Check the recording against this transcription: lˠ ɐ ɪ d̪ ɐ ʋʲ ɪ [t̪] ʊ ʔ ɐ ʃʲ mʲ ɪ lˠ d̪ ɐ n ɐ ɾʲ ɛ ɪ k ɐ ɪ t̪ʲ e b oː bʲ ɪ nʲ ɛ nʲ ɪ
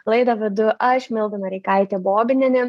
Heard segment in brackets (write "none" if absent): d̪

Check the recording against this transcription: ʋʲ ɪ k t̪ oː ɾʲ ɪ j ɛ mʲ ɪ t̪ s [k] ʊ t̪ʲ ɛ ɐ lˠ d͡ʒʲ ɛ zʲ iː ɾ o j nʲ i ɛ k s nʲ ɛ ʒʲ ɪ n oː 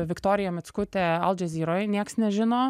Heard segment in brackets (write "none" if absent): k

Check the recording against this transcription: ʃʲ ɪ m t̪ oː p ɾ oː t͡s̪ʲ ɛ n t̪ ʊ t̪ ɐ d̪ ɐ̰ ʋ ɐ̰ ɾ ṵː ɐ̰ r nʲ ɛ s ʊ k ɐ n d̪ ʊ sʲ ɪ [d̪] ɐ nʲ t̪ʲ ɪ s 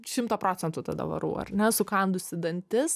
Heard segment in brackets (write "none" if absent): d̪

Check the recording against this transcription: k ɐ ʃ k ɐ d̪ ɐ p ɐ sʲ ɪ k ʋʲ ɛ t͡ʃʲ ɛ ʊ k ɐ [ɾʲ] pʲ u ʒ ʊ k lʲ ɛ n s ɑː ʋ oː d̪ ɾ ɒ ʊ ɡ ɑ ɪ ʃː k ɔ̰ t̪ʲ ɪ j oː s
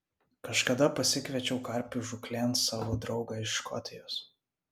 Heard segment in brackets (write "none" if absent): ɾʲ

